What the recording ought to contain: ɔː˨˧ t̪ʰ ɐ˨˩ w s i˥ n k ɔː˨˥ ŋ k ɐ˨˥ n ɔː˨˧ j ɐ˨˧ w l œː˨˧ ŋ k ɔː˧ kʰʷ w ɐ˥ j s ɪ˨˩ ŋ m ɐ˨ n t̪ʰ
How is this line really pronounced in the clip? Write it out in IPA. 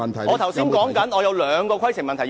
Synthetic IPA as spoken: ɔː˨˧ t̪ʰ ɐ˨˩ w s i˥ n k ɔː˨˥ ŋ k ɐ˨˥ n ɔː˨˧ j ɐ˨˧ w l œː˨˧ ŋ k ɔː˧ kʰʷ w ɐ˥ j s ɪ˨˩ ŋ m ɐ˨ n t̪ʰ